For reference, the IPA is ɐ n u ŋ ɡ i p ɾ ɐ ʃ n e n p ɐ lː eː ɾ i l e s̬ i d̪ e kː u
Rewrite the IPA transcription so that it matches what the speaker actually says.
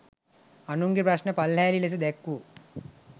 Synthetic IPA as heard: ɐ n u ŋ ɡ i p ɾ ɐ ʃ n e p ɐ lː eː l i l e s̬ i d̪ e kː u